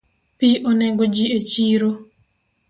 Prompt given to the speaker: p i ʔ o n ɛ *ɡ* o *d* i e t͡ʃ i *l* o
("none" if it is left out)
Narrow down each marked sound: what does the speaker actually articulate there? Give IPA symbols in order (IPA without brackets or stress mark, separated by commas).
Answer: ɡ, d͡ʒ, ɾ